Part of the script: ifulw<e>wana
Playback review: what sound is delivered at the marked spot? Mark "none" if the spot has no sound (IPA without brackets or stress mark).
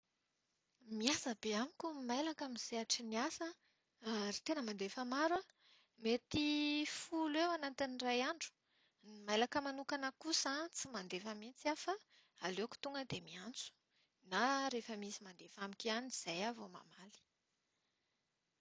e